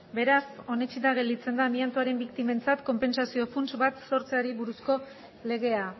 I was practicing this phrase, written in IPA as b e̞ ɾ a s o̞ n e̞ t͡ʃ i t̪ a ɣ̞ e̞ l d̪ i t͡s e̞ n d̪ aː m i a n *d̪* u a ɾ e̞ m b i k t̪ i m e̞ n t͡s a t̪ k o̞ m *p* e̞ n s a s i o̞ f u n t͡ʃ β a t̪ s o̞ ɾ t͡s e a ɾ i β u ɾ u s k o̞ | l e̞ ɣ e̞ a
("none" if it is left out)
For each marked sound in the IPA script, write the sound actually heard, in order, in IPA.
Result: t̪, p

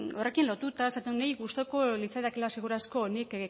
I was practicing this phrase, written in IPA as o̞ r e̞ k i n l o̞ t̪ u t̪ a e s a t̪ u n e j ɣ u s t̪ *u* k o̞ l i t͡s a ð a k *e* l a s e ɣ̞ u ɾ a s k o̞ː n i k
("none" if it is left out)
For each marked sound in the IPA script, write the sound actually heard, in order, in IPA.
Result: o, e

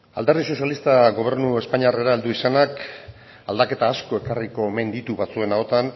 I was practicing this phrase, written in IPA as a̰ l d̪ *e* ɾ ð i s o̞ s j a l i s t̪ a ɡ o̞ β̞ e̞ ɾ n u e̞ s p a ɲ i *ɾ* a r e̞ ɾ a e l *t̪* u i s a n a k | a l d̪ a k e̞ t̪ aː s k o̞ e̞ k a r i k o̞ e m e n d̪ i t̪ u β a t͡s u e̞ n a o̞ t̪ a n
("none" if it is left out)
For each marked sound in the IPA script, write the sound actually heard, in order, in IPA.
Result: e, none, d̪

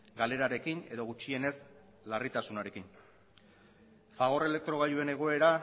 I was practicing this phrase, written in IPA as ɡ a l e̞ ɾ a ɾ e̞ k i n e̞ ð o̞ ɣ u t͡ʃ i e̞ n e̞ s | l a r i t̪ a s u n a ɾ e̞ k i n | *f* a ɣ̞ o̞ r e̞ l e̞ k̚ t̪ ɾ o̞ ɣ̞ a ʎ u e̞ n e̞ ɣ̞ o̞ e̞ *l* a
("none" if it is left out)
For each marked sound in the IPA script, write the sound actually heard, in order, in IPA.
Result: f, ɾ

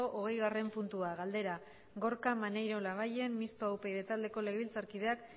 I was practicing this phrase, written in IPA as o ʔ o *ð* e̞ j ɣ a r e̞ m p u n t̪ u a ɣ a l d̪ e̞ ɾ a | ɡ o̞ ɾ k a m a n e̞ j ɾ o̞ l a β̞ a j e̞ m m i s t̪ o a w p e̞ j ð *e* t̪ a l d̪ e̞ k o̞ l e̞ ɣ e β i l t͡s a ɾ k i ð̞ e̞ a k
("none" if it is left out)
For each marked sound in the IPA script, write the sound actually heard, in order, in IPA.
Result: ɣ, e

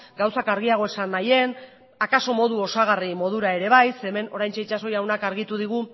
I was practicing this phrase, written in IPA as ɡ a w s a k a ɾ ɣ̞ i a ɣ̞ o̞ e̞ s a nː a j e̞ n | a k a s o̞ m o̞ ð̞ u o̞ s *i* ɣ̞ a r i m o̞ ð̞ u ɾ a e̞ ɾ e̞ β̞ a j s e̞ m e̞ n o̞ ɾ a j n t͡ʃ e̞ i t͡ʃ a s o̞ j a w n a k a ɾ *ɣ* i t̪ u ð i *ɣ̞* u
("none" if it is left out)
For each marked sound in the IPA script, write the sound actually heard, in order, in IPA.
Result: a, ɣ, ɣ̞

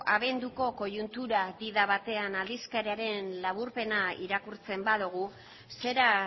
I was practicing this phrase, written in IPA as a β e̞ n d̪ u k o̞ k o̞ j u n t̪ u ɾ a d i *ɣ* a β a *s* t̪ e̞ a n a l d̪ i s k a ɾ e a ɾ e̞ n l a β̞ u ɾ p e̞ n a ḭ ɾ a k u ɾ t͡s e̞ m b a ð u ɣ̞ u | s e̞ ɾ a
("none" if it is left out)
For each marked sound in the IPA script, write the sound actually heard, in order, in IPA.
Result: ð, none

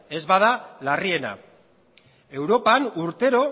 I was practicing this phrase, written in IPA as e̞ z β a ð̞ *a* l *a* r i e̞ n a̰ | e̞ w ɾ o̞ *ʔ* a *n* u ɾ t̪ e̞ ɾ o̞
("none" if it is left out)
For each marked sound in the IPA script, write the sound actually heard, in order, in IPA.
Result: a, a, p, n

